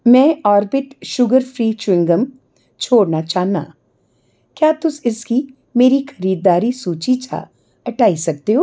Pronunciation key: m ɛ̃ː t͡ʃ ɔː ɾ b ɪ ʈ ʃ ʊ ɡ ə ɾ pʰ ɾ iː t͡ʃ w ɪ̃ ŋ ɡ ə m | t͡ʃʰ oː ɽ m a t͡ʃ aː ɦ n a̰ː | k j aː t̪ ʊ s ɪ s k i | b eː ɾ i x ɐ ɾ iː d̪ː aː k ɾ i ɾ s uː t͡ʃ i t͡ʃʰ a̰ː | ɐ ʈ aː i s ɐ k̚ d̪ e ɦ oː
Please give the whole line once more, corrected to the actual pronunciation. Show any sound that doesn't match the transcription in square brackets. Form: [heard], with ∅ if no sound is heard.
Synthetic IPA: m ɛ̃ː [∅] ɔː ɾ b ɪ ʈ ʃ ʊ ɡ ə ɾ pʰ ɾ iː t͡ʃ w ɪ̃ ŋ ɡ ə m | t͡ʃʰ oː ɽ [n] a t͡ʃ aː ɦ n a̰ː | k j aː t̪ ʊ s ɪ s k i | [m] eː ɾ i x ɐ ɾ iː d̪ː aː [∅] ɾ i [∅] s uː t͡ʃ i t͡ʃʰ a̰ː | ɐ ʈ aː i s ɐ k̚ [t̪] e ɦ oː